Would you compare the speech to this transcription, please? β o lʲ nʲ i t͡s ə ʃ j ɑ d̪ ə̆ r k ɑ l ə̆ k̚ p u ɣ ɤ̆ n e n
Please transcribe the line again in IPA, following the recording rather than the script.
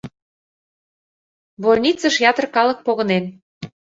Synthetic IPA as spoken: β o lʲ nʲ i t͡s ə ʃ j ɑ t̪ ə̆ r k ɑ l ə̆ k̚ p o ɣ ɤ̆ n e n

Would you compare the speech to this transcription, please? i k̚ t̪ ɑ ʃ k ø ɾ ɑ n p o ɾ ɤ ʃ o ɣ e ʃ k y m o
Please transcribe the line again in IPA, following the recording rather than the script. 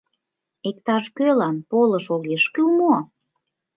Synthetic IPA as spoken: e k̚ t̪ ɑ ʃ k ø l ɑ n p o l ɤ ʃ o ɣ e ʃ k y m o

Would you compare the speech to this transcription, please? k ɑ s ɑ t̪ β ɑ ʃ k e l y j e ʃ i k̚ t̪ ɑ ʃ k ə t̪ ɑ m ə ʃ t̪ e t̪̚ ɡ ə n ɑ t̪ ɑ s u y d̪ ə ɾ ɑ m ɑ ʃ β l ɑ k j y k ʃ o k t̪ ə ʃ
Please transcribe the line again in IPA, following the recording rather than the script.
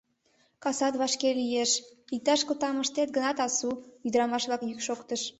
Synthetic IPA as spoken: k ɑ s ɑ t̪ β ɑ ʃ k e l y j e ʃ i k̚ t̪ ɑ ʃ k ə t̪ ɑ m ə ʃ t̪ e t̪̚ ɡ ə n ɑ t̪ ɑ s u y d̪ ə ɾ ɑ m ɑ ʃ β l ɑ k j y k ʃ o k t̪ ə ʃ

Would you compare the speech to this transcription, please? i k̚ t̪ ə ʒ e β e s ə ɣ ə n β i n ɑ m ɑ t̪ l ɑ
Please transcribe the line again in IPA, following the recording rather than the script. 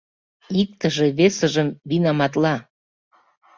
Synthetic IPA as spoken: i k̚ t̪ ə ʒ e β e s ə ʒ ə m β i n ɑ m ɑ t̪ l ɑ

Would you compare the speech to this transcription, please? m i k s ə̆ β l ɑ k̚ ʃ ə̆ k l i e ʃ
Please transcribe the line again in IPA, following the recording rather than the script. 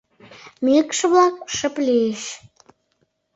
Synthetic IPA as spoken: m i k ʃ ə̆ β l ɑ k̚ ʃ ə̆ p l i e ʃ

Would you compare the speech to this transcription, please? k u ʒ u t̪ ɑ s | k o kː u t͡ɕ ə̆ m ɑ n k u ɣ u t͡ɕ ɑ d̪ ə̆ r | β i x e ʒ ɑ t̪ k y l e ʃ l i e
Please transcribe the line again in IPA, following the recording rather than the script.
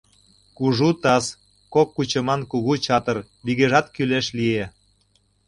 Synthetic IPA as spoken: k u ʒ u t̪ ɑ s | k o kː u t͡ɕ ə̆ m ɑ n k u ɣ u t͡ɕ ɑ t̪ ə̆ r | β i ɣ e ʒ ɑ t̪ k y l e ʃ l i e

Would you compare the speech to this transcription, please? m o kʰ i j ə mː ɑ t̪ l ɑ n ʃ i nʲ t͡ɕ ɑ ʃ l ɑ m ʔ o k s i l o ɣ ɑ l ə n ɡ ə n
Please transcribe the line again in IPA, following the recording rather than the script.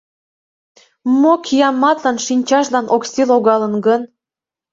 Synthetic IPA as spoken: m o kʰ i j ɑ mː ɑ t̪ l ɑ n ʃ i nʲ t͡ɕ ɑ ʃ l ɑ n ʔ o k s i l o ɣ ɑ l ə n ɡ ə n

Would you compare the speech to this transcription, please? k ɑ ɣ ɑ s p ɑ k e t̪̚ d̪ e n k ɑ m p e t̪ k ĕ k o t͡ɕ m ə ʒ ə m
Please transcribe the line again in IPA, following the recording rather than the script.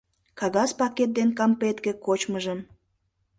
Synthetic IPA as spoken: k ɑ ɣ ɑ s p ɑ k e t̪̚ d̪ e n k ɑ m p e t̪ k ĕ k o t͡ɕ m ə ʒ ə m

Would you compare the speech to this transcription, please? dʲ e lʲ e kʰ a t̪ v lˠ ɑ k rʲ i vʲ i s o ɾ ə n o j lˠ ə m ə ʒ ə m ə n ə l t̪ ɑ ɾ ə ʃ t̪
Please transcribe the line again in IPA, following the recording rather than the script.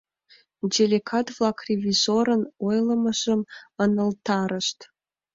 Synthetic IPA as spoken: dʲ e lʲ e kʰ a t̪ v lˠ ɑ k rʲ e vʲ i z o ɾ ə n o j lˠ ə m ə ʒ ə m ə n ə l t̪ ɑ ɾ ə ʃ t̪

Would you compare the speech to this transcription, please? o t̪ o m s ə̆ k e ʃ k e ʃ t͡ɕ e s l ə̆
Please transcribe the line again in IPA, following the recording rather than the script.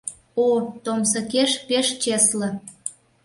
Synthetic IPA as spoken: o t̪ o m s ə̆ k e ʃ p e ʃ t͡ɕ e s l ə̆

